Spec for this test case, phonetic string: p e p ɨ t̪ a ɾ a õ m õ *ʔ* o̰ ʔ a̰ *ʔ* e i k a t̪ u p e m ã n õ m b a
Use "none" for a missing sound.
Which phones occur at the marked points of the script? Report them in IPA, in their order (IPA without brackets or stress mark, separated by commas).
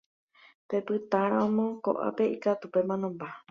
k, p